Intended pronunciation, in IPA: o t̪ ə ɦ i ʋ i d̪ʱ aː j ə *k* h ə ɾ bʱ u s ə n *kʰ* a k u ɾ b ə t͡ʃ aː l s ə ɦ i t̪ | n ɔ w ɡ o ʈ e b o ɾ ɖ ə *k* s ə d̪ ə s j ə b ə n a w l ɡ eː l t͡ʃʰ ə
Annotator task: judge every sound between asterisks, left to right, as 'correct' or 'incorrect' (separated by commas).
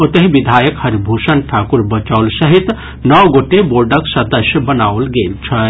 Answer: correct, incorrect, correct